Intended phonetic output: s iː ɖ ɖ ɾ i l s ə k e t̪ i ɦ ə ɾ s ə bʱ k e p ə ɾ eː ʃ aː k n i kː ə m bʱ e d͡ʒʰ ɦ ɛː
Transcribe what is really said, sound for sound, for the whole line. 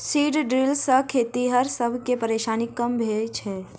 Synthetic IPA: s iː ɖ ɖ ɾ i l s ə kʰ e t̪ i ɦ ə ɾ s ə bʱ k e p ə ɾ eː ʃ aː n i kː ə m bʱ e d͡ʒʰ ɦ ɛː